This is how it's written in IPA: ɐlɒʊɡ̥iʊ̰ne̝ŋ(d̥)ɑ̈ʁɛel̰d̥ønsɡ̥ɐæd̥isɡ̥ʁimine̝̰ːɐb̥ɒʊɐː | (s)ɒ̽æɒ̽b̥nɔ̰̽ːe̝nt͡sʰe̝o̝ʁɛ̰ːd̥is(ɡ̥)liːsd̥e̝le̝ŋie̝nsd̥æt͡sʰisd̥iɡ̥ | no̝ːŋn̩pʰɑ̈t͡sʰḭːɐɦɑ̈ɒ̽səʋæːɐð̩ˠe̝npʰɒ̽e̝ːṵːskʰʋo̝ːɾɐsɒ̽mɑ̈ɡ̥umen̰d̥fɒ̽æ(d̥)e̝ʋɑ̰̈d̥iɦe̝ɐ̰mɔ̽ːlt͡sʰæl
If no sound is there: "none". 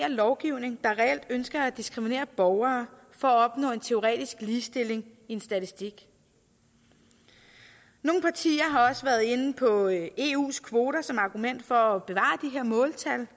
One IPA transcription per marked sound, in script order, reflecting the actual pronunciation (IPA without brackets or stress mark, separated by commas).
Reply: d̥, f, ɡ̥, b̥